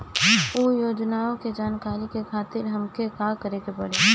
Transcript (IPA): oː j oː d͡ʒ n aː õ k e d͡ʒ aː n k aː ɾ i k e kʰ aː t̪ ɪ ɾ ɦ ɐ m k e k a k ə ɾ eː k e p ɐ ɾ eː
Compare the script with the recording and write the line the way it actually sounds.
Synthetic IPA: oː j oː d͡ʒ n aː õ k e d͡ʒ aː n k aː ɾ i k e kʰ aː t̪ ɪ ɾ ɦ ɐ m k e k a k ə ɾ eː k e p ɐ ɽ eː